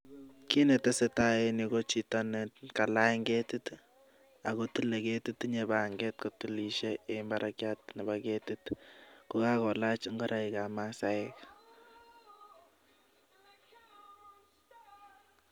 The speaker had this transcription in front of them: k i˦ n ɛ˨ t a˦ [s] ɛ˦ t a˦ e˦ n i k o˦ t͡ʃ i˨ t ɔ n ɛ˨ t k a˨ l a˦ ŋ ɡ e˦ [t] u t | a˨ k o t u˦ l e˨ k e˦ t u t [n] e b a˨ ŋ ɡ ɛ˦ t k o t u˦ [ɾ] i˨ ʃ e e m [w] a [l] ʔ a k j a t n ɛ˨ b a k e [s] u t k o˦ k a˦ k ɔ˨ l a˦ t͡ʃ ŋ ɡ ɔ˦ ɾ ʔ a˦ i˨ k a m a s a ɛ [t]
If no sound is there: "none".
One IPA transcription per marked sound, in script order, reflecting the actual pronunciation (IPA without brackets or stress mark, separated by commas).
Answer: s, t, ɲ, l, b, ɾ, t, k